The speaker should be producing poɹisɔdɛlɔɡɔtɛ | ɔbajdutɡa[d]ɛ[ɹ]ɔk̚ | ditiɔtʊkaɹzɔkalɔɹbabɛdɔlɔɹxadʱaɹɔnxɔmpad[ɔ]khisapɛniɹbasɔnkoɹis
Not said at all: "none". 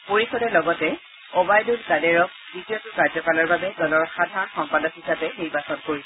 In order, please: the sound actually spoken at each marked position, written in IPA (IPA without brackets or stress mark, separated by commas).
d, ɹ, ɔ